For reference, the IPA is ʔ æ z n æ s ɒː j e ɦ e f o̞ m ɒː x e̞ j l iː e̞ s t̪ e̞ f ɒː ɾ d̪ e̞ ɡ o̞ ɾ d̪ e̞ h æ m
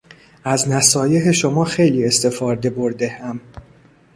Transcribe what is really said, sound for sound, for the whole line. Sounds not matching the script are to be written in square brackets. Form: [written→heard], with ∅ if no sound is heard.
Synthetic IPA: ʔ æ z n æ s ɒː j e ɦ e [f→ʃ] o̞ m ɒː x e̞ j l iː e̞ s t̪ e̞ f ɒː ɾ d̪ e̞ [ɡ→b] o̞ ɾ d̪ e̞ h æ m

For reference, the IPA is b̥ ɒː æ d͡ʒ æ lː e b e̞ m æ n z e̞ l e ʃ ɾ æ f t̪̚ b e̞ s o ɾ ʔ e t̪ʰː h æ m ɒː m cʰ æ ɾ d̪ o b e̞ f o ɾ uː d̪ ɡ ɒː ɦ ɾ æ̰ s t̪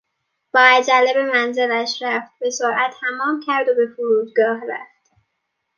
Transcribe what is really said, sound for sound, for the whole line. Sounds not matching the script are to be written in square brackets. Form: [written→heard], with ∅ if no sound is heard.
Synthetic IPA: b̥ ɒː æ d͡ʒ æ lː e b e̞ m æ n z e̞ l [e→æ] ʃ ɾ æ f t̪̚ b e̞ s o ɾ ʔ [e→æ] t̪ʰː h æ m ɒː m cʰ æ ɾ d̪ o b e̞ f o ɾ uː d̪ ɡ ɒː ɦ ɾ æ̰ [s→f] t̪

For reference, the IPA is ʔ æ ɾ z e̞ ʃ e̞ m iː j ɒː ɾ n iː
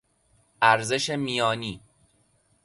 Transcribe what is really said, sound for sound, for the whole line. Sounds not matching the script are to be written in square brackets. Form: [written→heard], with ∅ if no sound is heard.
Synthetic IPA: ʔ æ ɾ z e̞ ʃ e̞ m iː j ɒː [ɾ→∅] n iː

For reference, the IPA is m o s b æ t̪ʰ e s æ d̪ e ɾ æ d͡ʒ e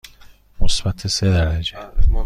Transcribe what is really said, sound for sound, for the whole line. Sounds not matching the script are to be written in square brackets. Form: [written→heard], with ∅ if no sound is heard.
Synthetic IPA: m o s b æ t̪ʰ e s [æ→e] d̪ [e→æ] ɾ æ d͡ʒ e

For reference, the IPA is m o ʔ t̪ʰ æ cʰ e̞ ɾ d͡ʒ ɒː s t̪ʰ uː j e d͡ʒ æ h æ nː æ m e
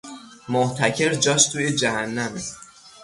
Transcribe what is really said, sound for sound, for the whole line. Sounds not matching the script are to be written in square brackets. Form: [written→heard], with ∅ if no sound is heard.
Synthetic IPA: m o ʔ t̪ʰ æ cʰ e̞ ɾ d͡ʒ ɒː [s→ʃ] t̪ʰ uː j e d͡ʒ æ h æ nː æ m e

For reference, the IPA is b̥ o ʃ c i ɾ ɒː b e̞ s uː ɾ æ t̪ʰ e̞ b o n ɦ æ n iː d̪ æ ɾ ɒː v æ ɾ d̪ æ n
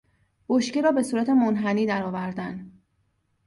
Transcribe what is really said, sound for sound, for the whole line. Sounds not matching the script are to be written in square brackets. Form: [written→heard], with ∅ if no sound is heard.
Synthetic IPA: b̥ o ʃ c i ɾ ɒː b e̞ s uː ɾ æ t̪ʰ e̞ [b→m] o n ɦ æ n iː d̪ æ ɾ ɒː v æ ɾ d̪ æ n

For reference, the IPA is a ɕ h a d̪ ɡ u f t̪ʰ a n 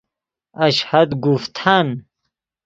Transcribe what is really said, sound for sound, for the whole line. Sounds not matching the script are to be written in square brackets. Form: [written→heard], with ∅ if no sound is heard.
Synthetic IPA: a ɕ h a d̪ ɡ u f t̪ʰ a n

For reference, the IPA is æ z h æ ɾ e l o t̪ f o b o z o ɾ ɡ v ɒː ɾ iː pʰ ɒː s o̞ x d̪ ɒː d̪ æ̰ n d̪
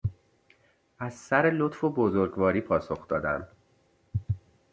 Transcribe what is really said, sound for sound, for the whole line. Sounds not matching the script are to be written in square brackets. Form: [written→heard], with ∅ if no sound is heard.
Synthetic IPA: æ z [h→s] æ ɾ e l o t̪ f o b o z o ɾ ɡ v ɒː ɾ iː pʰ ɒː s o̞ x d̪ ɒː d̪ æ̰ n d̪

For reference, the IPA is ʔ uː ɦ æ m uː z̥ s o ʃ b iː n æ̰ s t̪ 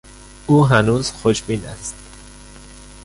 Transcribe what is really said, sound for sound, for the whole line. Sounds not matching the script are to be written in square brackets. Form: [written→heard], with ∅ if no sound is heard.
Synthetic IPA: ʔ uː ɦ æ [m→n] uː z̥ [s→x] o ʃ b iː n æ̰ s t̪

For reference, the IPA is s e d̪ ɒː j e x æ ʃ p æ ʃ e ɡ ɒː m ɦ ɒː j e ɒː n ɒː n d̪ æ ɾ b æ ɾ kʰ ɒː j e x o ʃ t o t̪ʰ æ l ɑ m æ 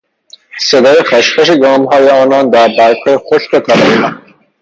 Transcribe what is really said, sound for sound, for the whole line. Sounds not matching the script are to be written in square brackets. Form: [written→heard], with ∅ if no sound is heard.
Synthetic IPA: s e d̪ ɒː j e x æ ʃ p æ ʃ e ɡ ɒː m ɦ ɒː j e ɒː n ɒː n d̪ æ ɾ b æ ɾ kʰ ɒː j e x o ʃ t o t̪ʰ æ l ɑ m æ

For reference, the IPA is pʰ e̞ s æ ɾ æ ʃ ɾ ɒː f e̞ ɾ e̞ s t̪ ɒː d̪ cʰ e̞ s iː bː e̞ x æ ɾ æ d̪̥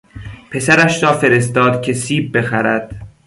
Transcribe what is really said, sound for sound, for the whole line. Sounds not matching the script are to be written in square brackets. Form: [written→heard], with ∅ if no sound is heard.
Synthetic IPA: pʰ e̞ s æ ɾ æ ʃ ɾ ɒː f e̞ ɾ e̞ s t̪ ɒː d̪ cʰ e̞ s iː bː e̞ x æ ɾ æ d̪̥

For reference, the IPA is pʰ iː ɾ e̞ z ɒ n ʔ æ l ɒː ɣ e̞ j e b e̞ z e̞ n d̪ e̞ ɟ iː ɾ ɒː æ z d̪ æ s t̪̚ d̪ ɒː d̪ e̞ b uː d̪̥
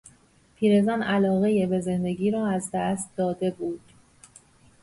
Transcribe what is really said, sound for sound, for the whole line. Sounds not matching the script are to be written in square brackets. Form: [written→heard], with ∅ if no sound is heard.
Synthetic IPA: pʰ iː ɾ e̞ z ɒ n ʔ æ l ɒː ɣ e̞ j e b e̞ z e̞ n d̪ e̞ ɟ iː ɾ ɒː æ z d̪ æ s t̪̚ d̪ ɒː d̪ e̞ b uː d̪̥

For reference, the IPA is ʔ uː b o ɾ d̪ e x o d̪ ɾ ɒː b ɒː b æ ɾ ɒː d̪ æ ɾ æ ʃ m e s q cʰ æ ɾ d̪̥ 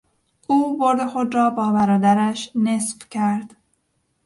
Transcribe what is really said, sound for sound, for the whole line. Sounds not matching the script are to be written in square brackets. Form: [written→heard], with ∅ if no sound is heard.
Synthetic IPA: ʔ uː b o ɾ d̪ e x o d̪ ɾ ɒː b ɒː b æ ɾ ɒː d̪ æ ɾ æ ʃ [m→n] e s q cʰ æ ɾ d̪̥

